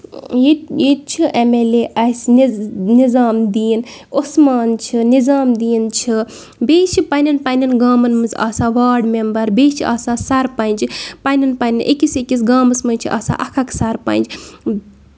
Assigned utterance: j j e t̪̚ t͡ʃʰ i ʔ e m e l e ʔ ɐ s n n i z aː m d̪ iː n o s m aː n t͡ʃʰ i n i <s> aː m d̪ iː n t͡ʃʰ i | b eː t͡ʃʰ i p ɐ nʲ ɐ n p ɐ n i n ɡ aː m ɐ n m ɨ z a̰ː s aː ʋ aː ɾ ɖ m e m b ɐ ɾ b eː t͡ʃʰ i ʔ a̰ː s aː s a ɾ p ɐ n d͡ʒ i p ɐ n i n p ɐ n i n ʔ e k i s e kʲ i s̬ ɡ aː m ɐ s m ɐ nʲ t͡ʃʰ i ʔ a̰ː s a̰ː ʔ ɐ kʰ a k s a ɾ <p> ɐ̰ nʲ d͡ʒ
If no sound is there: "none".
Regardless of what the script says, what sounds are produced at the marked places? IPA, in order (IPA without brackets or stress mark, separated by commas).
z, p